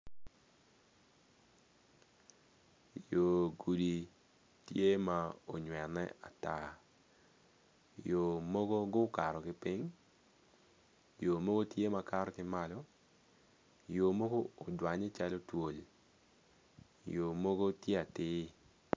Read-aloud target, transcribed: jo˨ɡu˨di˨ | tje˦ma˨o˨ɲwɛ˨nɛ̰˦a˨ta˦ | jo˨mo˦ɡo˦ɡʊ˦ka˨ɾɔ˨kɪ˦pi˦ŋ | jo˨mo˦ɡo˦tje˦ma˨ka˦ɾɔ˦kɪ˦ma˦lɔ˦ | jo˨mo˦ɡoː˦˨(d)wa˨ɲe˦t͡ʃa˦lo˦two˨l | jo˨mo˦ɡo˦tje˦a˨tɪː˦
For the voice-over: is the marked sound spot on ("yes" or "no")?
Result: yes